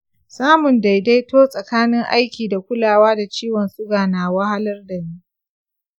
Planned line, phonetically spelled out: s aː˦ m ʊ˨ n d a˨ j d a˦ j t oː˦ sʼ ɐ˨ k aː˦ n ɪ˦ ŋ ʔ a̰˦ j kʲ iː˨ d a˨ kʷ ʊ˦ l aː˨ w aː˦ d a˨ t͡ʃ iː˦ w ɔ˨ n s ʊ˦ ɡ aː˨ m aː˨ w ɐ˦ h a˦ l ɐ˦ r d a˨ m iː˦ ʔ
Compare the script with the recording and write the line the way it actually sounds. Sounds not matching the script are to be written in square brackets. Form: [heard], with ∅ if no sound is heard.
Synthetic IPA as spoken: s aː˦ m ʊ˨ n d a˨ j d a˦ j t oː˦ sʼ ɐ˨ k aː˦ n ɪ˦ ŋ ʔ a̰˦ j kʲ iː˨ d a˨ kʷ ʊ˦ l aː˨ w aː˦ d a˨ t͡ʃ iː˦ w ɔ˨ n s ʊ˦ ɡ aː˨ [n] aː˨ w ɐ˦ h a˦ l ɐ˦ r d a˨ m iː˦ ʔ

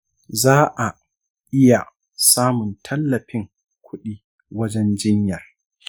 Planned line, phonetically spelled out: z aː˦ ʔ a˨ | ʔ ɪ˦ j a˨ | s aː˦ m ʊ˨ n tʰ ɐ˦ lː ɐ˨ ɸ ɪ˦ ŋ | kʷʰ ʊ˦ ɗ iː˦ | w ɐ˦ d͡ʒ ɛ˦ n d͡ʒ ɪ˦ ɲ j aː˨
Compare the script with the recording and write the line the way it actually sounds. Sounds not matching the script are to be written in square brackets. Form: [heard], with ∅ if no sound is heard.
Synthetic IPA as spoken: z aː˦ ʔ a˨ | ʔ ɪ˦ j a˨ | s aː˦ m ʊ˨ n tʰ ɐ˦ lː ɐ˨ ɸ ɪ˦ ŋ | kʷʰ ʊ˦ ɗ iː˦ | w ɐ˦ d͡ʒ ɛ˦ n d͡ʒ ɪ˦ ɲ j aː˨

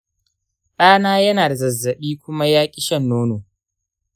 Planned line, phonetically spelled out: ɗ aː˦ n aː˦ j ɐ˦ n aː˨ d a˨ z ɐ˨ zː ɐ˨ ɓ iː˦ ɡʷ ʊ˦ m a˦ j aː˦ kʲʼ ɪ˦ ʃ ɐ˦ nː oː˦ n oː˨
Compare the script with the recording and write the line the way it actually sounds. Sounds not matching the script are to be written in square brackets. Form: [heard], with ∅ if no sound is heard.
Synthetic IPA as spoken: ɗ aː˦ n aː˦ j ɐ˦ n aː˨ d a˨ z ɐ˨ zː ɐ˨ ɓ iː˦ [kʷ] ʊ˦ m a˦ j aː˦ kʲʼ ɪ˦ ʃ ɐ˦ nː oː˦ n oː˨

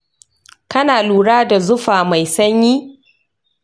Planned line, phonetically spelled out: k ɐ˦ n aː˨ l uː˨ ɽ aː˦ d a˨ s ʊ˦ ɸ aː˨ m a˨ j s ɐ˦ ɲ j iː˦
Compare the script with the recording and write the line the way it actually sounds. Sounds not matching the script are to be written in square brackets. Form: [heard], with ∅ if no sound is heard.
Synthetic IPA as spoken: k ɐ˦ n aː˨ l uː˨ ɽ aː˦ d a˨ [z] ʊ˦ ɸ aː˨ m a˨ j s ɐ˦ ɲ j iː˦

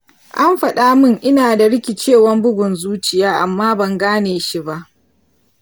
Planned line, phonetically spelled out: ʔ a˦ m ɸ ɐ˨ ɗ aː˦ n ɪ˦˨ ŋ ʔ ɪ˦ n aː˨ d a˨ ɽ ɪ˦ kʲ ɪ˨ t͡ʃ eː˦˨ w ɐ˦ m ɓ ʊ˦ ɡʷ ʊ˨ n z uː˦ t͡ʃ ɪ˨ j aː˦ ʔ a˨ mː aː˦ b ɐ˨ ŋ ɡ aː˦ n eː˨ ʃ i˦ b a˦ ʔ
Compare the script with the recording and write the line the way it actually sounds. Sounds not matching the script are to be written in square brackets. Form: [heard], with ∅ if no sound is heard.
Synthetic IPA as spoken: ʔ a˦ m ɸ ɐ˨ ɗ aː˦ [m] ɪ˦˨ ŋ ʔ ɪ˦ n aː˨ d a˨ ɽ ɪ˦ kʲ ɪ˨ t͡ʃ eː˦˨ w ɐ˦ m [b] ʊ˦ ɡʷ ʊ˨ n z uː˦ t͡ʃ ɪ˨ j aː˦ ʔ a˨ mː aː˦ b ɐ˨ ŋ ɡ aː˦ n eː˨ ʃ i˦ b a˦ ʔ

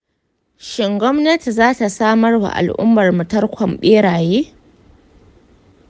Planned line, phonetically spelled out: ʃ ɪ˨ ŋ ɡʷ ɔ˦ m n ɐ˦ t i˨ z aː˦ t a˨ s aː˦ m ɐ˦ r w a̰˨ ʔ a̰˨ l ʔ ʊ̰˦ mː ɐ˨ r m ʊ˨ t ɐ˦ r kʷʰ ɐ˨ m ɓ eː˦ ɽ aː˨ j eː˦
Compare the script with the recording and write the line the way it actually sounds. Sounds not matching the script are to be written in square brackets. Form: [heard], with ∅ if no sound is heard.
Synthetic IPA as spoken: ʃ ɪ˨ ŋ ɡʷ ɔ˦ m n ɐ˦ t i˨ z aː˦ t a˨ s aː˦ m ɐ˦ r w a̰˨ ʔ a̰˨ l ʔ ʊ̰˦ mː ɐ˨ r m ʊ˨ t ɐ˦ r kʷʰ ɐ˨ m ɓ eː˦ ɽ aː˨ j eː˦

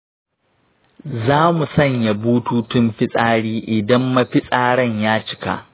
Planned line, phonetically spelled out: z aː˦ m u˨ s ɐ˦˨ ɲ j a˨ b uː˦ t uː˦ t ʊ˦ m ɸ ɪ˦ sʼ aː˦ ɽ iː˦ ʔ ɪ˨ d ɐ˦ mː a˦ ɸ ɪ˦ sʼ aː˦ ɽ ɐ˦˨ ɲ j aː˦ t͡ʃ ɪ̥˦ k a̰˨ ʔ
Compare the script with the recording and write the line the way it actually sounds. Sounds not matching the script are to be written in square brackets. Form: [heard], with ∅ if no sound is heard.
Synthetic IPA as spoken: z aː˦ m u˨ s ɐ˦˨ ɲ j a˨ b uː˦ t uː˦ t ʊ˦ m ɸ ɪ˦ sʼ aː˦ ɽ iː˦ ʔ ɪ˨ d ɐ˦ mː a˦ ɸ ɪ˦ sʼ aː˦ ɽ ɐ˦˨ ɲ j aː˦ t͡ʃ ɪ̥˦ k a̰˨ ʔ

